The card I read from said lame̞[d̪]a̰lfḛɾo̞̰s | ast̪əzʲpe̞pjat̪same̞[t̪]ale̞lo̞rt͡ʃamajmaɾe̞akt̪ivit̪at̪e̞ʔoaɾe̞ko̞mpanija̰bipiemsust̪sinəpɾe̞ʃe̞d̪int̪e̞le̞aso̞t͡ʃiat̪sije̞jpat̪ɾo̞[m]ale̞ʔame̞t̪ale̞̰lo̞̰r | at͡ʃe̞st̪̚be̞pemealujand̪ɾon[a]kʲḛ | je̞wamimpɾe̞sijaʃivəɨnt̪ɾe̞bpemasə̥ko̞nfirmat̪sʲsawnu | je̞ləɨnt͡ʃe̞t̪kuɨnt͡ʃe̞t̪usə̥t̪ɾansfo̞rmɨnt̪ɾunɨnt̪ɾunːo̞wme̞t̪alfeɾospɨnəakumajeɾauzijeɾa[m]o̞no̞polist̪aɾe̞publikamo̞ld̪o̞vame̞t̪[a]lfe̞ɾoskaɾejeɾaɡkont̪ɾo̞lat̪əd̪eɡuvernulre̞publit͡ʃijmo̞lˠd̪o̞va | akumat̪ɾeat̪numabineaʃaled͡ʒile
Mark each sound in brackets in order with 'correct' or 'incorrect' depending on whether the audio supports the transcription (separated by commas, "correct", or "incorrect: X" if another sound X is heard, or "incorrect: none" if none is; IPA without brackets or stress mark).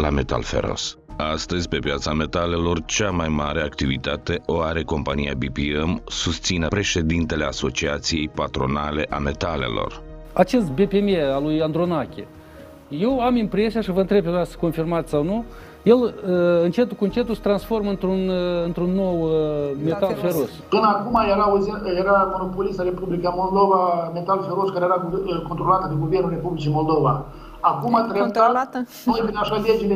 incorrect: t̪, correct, incorrect: n, correct, correct, correct